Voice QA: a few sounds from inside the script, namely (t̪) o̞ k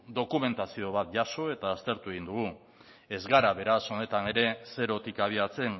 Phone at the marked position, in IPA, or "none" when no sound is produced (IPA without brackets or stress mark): d̪